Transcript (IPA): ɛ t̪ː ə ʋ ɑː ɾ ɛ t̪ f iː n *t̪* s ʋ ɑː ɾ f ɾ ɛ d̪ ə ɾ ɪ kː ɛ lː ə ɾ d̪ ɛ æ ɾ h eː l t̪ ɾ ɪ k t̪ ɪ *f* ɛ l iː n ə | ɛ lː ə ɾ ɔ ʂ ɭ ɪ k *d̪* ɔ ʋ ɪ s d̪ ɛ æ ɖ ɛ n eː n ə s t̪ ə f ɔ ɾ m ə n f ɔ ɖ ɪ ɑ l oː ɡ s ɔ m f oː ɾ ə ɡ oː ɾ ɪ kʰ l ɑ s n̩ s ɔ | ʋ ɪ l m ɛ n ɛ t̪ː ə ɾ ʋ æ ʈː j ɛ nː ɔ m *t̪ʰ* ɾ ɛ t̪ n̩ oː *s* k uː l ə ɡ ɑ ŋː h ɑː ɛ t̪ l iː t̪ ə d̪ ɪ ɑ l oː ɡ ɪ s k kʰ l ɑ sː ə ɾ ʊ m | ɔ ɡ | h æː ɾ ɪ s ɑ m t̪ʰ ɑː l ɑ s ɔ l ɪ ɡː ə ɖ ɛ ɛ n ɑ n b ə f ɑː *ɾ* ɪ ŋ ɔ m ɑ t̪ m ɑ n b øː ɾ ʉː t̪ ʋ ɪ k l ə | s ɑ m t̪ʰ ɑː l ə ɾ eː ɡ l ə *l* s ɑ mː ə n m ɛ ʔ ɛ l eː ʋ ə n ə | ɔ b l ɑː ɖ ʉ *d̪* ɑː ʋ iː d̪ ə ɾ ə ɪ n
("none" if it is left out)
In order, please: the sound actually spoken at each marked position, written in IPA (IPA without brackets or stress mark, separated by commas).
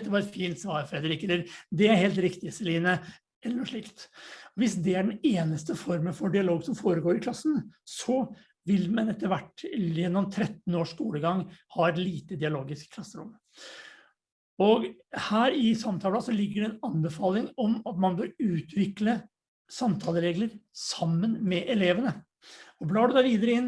t̪, s, t̪, t̪ʰ, ʂ, l, ɾ, d̪